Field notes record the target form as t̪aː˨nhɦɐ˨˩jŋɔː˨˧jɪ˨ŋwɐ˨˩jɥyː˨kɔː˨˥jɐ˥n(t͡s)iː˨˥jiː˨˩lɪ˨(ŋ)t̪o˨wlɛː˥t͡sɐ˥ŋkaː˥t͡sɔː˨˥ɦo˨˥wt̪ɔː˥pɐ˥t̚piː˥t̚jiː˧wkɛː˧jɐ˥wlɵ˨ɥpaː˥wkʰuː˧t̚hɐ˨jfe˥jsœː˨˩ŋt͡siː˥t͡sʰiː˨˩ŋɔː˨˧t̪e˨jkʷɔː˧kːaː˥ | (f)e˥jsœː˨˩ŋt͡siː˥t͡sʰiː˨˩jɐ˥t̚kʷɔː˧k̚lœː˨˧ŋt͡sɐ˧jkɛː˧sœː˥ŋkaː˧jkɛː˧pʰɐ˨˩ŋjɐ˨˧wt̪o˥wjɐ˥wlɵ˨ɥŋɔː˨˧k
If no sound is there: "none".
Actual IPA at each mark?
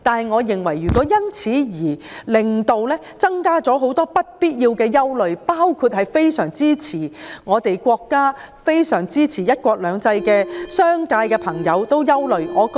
t͡sʰ, ŋ, f

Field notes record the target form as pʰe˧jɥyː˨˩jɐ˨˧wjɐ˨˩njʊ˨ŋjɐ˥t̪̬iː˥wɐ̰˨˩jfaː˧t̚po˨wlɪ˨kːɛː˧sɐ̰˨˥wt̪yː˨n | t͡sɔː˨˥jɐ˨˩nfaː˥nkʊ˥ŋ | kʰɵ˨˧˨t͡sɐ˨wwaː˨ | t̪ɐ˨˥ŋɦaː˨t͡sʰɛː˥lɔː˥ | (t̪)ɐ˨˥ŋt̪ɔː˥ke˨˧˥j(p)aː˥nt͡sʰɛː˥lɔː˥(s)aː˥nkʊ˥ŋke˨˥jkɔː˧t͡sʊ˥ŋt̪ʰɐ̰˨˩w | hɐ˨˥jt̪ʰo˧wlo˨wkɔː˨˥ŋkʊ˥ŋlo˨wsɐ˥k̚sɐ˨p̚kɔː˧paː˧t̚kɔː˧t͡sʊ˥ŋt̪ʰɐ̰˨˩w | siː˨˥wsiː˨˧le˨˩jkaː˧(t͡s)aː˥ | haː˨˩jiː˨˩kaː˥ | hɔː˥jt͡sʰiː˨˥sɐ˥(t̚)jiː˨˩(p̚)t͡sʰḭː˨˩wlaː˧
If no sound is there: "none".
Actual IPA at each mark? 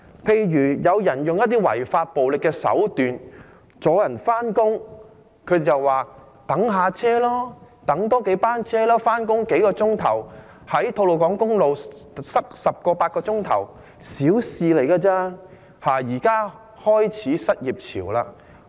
t̪, p, f, t͡s, t̚, p̚

